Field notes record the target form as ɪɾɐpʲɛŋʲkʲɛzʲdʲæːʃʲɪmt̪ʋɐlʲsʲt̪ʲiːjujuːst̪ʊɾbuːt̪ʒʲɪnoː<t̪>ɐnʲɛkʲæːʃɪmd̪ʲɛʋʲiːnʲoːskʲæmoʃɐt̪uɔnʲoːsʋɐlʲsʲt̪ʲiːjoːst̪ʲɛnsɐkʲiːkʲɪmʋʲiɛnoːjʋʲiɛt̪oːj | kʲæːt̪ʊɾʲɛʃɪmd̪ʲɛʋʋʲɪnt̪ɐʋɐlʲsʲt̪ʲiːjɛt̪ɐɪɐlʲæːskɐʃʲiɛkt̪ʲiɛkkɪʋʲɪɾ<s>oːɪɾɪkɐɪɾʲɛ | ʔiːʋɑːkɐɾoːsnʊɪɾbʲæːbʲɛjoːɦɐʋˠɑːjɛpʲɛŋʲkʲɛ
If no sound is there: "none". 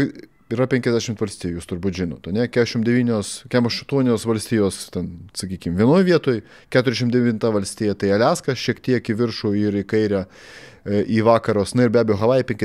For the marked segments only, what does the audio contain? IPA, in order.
t̪, ʃ

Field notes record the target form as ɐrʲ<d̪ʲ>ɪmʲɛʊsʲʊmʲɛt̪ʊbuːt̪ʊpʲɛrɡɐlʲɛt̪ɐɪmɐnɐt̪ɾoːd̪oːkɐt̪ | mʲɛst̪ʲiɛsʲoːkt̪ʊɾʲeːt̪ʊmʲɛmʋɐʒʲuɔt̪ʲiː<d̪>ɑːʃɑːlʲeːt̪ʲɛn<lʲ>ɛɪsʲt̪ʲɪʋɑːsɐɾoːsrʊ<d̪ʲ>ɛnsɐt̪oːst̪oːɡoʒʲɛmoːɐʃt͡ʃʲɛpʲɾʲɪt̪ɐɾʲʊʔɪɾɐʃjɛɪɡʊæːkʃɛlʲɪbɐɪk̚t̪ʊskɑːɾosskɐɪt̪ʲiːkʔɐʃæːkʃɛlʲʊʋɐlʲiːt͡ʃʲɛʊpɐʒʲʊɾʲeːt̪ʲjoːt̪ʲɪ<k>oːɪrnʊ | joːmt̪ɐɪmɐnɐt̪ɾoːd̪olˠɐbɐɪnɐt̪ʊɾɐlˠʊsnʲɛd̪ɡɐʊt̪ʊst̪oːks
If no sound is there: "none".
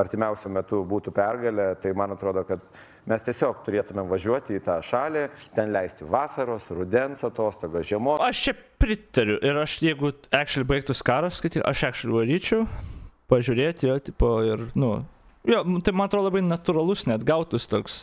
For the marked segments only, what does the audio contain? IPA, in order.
t̪ʲ, t̪, lʲ, d̪ʲ, p

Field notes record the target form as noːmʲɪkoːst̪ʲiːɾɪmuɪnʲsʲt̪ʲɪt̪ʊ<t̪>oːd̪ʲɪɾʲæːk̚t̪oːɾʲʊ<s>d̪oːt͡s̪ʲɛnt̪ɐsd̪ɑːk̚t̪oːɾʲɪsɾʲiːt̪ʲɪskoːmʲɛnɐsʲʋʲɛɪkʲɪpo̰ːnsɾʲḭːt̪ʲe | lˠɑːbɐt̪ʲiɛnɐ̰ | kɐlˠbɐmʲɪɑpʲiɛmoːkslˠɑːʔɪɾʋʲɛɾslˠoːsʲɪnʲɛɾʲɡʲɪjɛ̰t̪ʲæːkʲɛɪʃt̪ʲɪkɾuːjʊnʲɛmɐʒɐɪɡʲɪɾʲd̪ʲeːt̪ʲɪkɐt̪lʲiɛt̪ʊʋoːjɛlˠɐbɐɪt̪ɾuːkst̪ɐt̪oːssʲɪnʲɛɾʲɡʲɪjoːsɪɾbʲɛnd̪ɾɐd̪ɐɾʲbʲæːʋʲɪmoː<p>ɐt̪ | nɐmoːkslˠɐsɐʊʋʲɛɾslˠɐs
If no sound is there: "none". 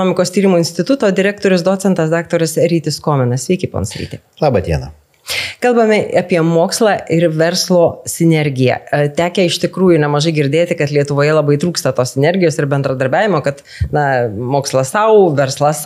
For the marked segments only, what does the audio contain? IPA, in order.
t̪, s, k

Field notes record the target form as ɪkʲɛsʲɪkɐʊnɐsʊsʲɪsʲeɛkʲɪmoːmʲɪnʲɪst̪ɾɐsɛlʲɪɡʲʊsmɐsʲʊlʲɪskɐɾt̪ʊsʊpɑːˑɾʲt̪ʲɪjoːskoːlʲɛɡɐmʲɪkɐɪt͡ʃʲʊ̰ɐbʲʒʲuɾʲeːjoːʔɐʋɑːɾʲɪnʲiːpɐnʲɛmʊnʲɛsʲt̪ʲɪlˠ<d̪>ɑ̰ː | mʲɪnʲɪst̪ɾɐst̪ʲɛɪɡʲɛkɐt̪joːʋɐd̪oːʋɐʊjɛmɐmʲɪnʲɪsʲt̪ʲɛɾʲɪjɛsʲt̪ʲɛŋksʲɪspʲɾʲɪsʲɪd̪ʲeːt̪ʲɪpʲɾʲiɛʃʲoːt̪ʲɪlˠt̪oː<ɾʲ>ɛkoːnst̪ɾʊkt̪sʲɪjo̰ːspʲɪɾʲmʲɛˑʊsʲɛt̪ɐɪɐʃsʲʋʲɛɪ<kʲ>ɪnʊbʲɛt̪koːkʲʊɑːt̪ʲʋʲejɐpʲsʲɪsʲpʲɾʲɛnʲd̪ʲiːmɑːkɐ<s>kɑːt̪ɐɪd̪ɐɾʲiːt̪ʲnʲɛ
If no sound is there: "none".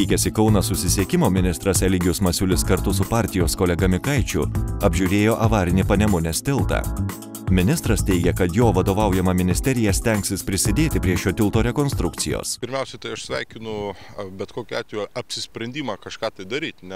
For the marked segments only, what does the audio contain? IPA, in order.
t̪, ɾʲ, kʲ, ʃ

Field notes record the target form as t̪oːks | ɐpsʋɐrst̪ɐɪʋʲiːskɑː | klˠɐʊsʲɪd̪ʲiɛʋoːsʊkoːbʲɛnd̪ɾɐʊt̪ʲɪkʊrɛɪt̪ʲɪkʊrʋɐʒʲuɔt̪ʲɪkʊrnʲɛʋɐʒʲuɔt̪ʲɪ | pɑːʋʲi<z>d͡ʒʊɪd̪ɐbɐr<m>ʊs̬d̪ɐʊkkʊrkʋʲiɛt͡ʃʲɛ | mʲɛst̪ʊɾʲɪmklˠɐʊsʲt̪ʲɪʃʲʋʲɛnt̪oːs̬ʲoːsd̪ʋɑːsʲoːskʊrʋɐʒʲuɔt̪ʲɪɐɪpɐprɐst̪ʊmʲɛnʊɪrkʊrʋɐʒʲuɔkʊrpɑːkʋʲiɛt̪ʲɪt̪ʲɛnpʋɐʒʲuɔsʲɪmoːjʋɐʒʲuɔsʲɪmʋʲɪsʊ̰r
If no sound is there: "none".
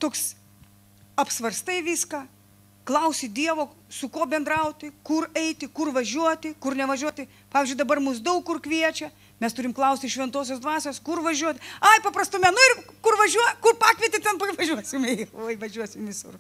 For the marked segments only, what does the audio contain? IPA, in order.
z, m

